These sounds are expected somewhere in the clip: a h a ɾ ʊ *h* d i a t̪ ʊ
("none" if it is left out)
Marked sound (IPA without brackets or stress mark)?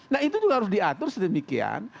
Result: s